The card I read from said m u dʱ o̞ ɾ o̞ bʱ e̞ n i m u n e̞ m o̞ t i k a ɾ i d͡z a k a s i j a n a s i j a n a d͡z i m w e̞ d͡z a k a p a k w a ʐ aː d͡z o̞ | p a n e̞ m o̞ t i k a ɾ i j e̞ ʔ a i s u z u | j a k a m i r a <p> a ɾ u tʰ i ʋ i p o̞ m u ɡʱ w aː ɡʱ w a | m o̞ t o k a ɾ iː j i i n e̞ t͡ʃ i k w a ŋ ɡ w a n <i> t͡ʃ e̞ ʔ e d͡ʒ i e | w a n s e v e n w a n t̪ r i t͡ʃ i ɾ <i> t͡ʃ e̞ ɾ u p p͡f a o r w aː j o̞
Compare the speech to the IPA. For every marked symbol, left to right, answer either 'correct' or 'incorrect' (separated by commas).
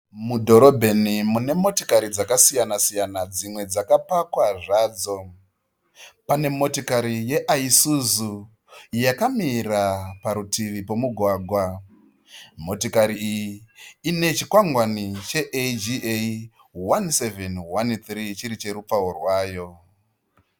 correct, correct, correct